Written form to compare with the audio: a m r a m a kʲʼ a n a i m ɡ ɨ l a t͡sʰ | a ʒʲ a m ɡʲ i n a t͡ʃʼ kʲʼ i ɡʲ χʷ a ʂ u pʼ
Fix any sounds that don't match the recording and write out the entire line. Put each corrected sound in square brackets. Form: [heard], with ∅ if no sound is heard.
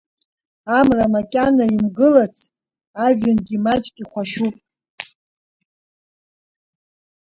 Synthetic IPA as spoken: a m r a m a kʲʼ a n a i m ɡ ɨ l a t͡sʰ | a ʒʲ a [n] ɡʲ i [m] a t͡ʃʼ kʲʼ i [∅] χʷ a [ʃ] u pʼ